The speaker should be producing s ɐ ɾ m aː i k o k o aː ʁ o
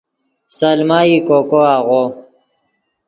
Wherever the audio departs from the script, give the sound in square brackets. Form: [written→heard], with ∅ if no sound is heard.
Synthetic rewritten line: s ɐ [ɾ→l] m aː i k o k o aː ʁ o